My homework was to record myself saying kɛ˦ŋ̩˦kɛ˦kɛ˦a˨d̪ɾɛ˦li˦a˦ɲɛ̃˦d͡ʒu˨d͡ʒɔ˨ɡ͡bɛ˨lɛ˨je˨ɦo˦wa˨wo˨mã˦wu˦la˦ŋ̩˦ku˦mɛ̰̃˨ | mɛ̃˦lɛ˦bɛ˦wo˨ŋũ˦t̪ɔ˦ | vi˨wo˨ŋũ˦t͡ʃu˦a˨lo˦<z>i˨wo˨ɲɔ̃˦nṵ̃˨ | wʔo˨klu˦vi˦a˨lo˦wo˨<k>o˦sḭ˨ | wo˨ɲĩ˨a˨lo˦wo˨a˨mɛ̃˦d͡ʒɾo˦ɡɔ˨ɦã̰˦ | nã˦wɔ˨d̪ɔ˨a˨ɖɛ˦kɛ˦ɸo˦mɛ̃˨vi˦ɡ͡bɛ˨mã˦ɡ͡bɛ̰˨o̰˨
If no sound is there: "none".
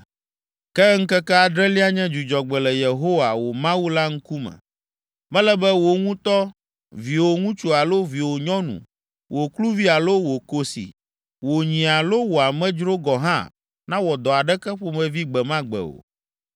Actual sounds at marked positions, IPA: v, k

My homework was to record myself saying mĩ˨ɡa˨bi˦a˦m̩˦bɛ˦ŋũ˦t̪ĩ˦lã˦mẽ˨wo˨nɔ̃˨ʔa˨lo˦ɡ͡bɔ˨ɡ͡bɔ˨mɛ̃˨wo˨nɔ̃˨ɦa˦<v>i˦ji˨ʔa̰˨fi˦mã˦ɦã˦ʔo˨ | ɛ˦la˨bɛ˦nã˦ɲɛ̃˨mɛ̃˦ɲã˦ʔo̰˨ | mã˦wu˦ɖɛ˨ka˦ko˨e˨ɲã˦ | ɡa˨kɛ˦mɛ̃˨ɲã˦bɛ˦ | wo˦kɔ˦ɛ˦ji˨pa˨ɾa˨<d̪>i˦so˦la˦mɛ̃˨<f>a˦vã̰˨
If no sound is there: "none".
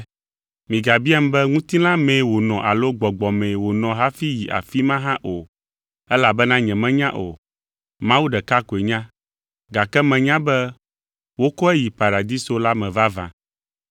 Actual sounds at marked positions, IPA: f, d̪, v

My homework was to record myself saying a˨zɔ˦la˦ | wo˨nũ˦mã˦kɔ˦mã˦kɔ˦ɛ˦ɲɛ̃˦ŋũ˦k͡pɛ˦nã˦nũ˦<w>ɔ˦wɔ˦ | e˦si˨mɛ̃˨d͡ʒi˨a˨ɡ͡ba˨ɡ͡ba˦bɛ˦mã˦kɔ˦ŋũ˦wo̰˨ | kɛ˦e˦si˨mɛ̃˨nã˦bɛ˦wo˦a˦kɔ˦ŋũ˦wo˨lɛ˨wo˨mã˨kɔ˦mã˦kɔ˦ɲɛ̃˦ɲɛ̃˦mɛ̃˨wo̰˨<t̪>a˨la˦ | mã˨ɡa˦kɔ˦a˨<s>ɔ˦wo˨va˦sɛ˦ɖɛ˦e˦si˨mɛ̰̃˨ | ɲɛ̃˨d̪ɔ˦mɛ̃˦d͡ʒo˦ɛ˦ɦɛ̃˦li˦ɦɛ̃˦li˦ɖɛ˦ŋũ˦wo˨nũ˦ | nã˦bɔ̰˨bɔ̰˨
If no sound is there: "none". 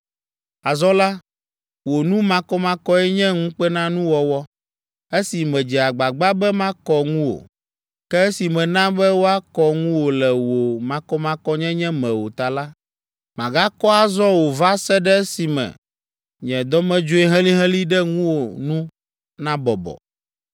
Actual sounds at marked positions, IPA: w, t̪, z

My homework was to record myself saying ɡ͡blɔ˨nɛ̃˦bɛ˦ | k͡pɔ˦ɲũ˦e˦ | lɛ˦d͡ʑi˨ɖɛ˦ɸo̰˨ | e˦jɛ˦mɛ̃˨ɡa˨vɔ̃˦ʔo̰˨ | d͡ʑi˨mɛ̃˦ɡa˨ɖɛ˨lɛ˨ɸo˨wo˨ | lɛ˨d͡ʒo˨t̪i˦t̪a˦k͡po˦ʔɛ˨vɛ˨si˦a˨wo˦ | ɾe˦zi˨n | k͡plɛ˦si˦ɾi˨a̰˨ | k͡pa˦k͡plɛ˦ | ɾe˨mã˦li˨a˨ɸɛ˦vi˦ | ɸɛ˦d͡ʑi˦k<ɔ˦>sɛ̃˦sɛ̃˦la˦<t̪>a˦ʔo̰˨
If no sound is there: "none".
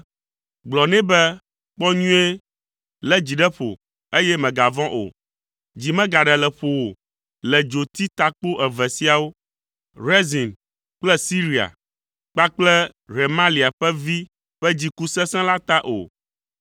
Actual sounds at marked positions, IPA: u˦, t̪

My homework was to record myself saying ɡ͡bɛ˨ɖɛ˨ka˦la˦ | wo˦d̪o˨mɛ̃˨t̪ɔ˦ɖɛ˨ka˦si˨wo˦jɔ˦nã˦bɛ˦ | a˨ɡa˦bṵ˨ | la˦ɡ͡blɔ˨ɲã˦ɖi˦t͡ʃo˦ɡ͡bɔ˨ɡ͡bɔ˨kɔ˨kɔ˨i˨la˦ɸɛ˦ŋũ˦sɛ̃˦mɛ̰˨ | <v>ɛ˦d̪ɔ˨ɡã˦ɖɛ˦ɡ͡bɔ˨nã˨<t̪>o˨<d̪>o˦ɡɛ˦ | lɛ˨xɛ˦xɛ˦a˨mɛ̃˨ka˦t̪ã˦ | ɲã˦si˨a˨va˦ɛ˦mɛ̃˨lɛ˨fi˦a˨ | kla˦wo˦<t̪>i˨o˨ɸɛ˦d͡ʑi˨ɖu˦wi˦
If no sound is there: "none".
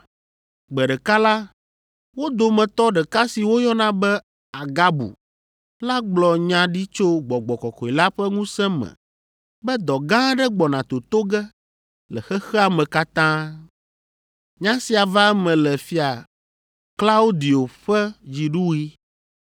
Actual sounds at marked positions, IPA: b, t̪, t̪, d̪

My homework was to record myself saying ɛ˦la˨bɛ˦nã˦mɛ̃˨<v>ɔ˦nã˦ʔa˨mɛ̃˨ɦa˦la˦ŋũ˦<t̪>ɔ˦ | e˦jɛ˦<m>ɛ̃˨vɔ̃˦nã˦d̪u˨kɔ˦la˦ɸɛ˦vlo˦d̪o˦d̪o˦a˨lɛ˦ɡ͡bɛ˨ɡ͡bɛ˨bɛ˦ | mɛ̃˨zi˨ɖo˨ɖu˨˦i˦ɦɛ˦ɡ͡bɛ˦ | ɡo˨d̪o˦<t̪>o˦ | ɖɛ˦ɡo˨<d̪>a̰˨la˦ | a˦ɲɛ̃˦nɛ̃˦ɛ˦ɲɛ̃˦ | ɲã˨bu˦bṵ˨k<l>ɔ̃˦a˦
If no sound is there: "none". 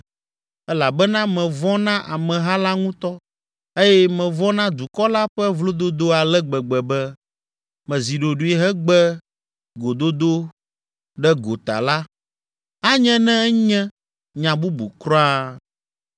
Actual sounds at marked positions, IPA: v, t̪, m, d̪, t̪, ɾ

